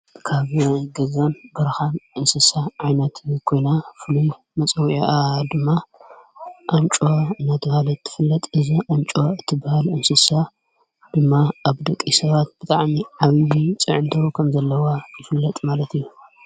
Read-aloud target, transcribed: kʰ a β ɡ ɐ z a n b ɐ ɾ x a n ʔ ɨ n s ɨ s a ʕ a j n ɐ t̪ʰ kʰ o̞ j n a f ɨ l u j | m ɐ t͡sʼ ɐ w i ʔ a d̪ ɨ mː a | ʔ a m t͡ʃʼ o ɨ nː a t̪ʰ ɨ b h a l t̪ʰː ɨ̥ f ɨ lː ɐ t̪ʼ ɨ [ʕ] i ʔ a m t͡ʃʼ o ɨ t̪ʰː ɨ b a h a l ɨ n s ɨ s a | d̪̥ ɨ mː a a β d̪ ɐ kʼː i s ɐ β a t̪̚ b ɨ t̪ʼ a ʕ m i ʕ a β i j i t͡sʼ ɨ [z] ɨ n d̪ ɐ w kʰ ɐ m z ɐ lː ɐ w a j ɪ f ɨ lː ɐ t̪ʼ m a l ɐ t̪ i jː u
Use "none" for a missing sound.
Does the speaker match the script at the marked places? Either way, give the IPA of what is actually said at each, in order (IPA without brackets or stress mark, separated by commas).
z, ʕ